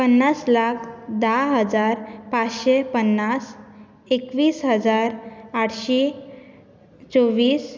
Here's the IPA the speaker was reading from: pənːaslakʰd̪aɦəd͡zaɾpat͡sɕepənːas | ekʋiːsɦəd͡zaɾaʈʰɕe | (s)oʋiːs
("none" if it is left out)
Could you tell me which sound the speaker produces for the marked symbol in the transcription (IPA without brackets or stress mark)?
t͡s